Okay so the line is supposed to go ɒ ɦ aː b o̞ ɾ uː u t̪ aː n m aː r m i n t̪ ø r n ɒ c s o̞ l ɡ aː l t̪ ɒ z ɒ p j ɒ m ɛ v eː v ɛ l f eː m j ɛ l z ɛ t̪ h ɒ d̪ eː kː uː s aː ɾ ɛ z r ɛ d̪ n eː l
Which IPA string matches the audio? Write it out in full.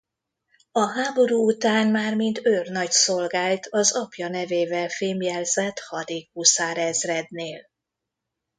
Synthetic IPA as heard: ɒ ɦ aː b o̞ ɾ uː u t̪ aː n m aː r m i n t̪ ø r n ɒ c s o̞ l ɡ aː l t̪ ɒ z ɒ p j ɒ n ɛ v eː v ɛ l f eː m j ɛ l z ɛ t̪ h ɒ d̪ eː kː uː s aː ɾ ɛ z r ɛ d̪ n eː l